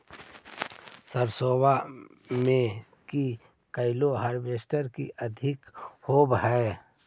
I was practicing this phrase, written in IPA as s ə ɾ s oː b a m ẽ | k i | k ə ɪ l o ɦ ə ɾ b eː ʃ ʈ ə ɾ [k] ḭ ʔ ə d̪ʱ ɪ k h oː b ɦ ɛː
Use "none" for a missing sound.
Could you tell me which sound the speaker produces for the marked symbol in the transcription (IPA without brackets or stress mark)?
k